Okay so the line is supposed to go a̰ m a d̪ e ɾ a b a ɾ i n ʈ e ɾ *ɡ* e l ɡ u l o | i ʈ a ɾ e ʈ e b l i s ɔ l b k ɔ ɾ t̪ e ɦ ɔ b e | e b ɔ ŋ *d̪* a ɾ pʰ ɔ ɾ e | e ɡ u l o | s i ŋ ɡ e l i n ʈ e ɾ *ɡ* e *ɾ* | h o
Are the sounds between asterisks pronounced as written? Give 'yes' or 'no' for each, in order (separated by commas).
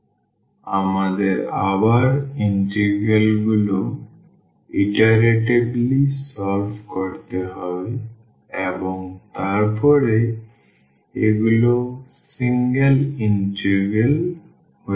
yes, no, yes, no